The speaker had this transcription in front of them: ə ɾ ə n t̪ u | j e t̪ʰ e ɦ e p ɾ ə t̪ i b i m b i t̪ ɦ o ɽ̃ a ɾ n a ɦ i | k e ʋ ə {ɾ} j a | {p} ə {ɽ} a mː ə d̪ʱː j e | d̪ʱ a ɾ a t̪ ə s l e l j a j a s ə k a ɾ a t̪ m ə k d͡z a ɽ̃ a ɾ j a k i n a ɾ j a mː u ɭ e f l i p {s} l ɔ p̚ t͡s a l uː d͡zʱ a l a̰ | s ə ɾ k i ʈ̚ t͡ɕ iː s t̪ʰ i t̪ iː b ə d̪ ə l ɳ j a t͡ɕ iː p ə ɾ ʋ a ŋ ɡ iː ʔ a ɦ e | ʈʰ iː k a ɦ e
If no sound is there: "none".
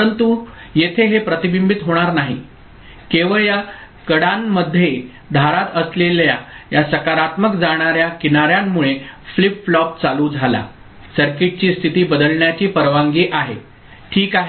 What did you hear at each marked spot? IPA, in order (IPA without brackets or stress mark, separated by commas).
ɭ, k, ɽ, f